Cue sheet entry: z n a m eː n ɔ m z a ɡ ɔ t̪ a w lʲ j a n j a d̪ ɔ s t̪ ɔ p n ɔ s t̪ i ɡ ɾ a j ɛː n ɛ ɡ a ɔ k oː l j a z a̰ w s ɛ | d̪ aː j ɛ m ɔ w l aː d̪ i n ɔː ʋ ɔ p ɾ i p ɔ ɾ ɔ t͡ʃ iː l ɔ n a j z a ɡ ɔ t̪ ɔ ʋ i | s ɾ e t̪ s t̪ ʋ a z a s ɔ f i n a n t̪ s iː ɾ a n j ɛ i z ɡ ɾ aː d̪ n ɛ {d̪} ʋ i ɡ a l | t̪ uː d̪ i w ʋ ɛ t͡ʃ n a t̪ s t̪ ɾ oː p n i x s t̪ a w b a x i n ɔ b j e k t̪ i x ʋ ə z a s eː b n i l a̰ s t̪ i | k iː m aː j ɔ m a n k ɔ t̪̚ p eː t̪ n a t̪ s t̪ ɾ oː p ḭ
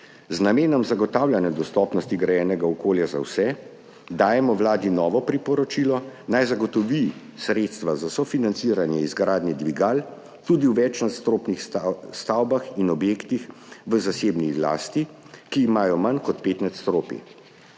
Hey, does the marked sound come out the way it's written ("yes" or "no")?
yes